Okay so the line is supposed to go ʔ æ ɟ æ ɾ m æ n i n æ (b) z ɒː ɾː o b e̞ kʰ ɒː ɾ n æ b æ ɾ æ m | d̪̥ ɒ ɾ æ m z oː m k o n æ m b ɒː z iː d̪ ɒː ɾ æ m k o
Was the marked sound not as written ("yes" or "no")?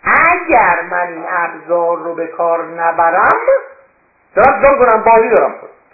no